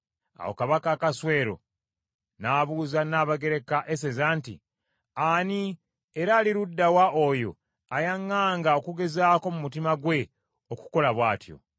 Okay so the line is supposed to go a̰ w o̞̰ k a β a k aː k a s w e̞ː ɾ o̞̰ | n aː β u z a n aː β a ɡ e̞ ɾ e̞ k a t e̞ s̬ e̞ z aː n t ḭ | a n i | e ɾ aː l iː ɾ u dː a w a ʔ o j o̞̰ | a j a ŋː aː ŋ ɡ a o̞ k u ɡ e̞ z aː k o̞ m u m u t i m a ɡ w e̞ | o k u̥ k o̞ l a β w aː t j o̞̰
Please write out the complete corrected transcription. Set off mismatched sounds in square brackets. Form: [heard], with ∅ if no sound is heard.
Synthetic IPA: a̰ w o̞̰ k a β a k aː k a s w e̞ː ɾ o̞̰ | n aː β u z a n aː β a ɡ e̞ ɾ e̞ k a [ʔ] e̞ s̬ e̞ z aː n t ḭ | a n i | e ɾ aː l [i] ɾ u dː a w a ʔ o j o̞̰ | a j a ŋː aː ŋ ɡ a o̞ k u ɡ e̞ z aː k o̞ m u m u t i m a ɡ w e̞ | o k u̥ k o̞ l a β w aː t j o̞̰